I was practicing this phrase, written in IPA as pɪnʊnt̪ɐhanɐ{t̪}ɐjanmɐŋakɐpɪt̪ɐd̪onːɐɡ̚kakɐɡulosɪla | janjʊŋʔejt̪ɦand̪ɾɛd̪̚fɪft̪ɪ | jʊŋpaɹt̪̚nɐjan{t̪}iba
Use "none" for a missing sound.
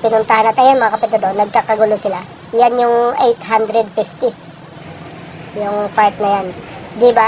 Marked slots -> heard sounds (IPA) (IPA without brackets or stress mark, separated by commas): t̪, d̪